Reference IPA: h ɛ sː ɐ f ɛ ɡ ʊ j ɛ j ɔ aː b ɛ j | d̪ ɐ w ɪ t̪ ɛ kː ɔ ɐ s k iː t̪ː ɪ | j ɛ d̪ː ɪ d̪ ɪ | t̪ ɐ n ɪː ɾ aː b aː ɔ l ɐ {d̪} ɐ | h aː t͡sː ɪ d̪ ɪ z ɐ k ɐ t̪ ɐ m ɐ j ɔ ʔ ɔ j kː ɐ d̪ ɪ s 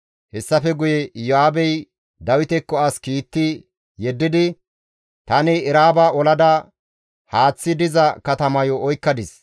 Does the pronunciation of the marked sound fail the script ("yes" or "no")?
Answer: no